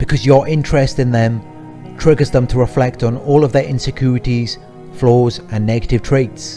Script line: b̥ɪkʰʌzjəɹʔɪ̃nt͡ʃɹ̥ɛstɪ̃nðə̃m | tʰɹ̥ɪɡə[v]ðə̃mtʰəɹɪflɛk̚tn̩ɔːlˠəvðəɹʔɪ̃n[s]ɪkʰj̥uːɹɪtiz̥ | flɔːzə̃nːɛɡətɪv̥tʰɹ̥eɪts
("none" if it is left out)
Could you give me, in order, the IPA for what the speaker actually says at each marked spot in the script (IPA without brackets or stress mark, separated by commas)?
z, s